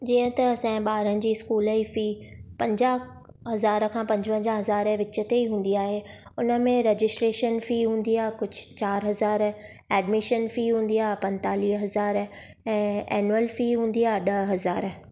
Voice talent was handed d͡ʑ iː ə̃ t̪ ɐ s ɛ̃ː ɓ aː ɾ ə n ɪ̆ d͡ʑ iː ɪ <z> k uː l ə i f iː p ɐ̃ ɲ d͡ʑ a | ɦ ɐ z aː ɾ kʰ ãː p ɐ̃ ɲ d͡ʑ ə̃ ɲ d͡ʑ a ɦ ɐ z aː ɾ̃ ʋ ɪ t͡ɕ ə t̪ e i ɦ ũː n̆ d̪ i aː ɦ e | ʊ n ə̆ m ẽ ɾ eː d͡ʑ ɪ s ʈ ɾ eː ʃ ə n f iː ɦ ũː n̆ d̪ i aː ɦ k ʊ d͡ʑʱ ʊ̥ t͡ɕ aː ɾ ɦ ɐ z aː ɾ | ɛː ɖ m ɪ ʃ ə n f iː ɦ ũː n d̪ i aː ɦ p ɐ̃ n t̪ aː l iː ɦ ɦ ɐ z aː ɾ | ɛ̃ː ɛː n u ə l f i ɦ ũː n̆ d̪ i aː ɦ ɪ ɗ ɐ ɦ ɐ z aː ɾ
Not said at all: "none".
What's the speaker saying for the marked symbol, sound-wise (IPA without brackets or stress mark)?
s